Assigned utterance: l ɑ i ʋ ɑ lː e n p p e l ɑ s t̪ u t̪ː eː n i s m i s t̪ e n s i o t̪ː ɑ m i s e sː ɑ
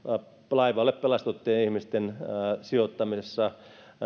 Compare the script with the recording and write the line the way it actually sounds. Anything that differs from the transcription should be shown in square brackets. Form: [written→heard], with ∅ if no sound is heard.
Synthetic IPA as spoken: l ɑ i ʋ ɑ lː e [n→∅] p p e l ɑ s t̪ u t̪ː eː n i [s→h] m i s t̪ e n s i o t̪ː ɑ m i s e sː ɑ